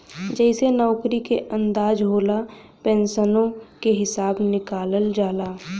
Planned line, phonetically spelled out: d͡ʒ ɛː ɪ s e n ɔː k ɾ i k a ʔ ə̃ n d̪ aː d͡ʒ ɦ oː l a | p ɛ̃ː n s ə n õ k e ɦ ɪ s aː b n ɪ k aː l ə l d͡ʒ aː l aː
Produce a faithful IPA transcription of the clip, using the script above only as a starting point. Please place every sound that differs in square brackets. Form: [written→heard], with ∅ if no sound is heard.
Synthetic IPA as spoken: d͡ʒ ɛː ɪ s e n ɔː k ɾ i k [a→e] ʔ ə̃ n d̪ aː d͡ʒ ɦ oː l a | p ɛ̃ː n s ə n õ k e ɦ ɪ s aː b n ɪ k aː l ə l d͡ʒ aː l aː